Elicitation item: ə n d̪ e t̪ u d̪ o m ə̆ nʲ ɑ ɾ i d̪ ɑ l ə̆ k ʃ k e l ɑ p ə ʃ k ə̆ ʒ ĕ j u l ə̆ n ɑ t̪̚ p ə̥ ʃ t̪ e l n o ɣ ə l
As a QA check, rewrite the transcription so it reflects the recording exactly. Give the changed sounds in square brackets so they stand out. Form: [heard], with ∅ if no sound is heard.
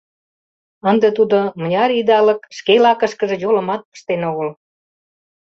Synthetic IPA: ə n d̪ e t̪ u d̪ o m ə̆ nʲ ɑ ɾ i d̪ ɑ l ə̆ k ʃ k e l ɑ [k] ə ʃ k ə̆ ʒ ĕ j [o] l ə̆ [m] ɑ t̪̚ p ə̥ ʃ t̪ e [∅] n o ɣ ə l